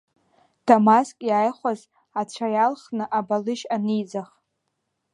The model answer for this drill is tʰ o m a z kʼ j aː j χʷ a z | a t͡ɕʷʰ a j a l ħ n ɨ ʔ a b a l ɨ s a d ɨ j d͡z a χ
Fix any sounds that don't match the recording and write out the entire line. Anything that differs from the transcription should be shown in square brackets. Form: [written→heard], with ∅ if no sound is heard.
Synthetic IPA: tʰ o m a [z→s] kʼ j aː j χʷ a z | a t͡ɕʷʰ a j a l [ħ→χ] n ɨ ʔ a b a l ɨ [s→ʃ] a [d→n] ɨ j d͡z a χ